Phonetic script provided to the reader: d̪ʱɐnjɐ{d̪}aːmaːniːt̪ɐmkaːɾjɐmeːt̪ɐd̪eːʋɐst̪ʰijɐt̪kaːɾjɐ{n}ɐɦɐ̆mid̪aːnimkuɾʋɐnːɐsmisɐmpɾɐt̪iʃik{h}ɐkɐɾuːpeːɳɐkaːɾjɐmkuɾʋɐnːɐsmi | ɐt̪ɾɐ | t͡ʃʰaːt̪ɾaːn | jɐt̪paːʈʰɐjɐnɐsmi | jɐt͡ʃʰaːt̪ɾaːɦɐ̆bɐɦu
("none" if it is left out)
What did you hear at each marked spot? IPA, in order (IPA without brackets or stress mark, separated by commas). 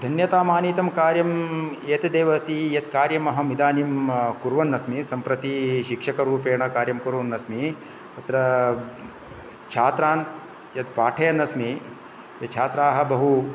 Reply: t̪, m, ʂ